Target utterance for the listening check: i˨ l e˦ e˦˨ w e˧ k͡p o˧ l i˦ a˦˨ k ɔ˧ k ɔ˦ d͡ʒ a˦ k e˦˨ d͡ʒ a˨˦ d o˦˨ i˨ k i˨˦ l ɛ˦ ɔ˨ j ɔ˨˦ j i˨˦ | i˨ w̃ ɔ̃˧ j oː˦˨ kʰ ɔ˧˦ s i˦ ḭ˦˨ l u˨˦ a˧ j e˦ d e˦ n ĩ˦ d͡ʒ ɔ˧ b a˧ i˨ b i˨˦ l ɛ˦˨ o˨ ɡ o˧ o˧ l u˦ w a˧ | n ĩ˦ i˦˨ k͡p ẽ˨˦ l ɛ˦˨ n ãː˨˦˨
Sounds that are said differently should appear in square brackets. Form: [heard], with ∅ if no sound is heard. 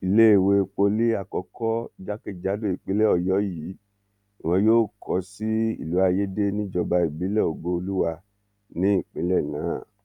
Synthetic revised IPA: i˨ l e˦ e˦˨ w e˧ k͡p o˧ l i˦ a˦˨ k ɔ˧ k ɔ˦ d͡ʒ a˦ k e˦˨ d͡ʒ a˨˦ d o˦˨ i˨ [k͡p] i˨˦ l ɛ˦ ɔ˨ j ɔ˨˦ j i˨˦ | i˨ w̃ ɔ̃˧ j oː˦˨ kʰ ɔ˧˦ s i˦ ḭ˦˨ l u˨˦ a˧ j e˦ d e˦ n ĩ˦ d͡ʒ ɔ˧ b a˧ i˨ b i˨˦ l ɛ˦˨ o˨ ɡ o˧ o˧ l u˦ w a˧ | n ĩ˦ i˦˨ k͡p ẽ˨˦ l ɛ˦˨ n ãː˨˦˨

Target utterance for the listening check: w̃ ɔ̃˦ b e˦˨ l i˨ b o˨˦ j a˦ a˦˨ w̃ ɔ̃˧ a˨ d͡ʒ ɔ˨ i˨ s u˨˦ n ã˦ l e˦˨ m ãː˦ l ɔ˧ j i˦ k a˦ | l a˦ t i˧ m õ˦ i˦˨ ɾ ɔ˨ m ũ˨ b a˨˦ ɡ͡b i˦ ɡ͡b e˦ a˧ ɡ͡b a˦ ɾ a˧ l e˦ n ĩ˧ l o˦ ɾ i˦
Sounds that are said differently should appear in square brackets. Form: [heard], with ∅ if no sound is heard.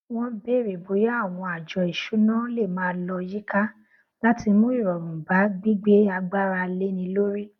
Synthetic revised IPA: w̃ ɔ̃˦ b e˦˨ [ɾ] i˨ b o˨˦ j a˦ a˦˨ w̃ ɔ̃˧ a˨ d͡ʒ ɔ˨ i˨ [ʃ] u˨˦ n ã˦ l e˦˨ m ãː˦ l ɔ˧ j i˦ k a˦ | l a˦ t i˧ m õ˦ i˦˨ ɾ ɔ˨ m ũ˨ b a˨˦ ɡ͡b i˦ ɡ͡b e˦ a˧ ɡ͡b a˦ ɾ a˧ l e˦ n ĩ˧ l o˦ ɾ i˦

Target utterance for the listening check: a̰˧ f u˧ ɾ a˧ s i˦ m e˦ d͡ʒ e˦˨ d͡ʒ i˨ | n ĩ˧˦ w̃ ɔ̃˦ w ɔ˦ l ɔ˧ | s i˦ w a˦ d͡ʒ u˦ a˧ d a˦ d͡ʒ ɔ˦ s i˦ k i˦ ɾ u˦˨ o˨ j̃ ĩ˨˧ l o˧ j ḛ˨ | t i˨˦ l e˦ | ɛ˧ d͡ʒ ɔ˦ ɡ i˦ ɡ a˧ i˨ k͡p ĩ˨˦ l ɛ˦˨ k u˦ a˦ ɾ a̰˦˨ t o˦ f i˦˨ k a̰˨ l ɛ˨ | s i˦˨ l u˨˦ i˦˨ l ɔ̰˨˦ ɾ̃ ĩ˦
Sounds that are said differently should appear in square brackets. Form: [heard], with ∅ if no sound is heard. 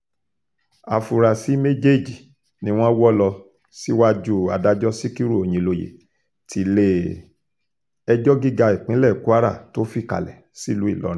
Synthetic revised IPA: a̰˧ f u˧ ɾ a˧ s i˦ m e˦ d͡ʒ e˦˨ d͡ʒ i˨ | n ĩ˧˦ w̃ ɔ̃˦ w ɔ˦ l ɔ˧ | s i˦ w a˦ d͡ʒ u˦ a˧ d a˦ d͡ʒ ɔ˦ s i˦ k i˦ ɾ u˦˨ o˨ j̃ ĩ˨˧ l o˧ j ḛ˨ | t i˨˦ l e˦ | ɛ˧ d͡ʒ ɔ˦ ɡ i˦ ɡ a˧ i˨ k͡p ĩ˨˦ l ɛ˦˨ k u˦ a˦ ɾ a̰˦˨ t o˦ f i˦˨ k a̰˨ l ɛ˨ | s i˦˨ l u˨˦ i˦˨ l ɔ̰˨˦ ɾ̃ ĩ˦

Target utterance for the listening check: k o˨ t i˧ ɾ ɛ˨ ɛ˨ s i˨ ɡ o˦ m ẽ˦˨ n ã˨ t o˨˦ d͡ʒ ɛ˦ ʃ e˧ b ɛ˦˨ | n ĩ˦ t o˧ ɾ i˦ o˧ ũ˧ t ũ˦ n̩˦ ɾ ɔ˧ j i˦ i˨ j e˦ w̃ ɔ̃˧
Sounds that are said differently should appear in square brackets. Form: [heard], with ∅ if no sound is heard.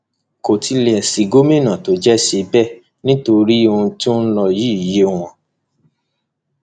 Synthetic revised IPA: k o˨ t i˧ [l] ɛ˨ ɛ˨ s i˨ ɡ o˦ m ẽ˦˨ n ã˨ t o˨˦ d͡ʒ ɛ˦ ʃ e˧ b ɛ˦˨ | n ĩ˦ t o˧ ɾ i˦ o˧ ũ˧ t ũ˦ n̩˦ [l] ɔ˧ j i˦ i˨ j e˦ w̃ ɔ̃˧

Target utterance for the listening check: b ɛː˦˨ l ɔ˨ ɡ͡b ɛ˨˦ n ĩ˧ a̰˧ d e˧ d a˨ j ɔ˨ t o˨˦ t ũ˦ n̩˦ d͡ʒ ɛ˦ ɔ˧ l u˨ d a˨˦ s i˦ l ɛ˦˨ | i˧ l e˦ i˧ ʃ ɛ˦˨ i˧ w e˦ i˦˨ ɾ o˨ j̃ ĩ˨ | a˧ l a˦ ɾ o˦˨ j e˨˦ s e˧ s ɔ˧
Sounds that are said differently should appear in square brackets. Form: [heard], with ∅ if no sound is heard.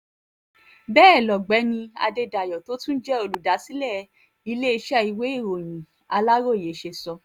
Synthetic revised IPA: b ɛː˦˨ l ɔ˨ ɡ͡b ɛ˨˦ n ĩ˧ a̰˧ d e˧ d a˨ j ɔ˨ t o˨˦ t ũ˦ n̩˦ d͡ʒ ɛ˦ [o˧] l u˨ d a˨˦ s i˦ l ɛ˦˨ | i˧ l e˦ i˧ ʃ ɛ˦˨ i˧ w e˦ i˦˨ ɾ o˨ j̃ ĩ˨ | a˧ l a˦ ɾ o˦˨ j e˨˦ [ʃ] e˧ s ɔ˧

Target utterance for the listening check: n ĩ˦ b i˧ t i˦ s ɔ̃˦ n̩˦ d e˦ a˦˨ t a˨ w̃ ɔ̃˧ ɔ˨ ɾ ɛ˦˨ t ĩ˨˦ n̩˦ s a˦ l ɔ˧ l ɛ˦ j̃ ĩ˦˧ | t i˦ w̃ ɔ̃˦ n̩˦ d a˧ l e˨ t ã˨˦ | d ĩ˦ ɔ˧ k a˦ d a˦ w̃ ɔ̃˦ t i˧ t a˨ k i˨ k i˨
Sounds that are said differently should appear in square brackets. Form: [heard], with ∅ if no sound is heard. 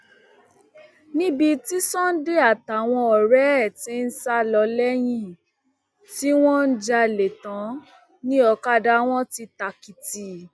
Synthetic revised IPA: n ĩ˦ b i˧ t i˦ s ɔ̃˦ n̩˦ d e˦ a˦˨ t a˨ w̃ ɔ̃˧ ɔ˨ ɾ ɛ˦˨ t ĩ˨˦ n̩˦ s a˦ l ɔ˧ l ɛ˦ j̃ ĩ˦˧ | t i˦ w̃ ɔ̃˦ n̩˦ [d͡ʒ] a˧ l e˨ t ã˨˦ | [n] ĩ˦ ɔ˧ k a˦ d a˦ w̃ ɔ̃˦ t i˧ t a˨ k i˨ [t] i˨

